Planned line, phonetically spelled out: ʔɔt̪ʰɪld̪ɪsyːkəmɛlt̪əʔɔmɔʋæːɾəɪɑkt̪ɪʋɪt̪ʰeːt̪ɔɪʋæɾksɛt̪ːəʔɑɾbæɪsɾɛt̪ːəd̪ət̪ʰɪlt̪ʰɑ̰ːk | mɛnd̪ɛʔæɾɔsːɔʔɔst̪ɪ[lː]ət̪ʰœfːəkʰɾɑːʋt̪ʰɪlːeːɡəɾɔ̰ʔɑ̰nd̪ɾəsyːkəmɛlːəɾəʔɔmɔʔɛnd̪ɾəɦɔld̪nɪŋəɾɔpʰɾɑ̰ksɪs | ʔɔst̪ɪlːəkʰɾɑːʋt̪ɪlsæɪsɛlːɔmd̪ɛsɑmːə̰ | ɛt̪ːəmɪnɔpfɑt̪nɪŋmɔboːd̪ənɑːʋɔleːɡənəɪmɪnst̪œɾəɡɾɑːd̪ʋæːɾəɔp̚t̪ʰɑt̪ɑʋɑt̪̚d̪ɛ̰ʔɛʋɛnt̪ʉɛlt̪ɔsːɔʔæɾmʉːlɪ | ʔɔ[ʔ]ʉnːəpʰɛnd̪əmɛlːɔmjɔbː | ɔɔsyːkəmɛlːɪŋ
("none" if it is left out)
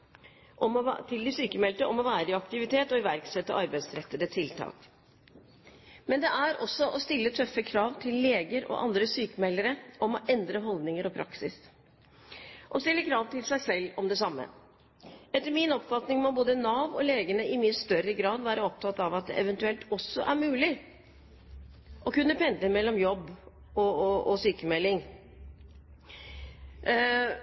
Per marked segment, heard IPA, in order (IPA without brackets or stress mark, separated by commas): lː, k